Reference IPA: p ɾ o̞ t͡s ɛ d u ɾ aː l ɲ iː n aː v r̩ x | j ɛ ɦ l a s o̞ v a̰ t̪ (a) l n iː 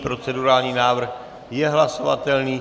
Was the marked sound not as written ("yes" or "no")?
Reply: yes